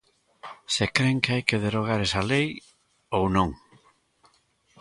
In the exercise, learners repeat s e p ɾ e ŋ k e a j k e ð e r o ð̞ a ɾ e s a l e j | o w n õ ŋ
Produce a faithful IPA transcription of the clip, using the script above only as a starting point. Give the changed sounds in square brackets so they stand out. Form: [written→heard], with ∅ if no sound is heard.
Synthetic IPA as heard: s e [p→k] ɾ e ŋ k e a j k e ð e [r→ɾ] o [ð̞→ɣ̞] a ɾ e s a l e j | o w n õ ŋ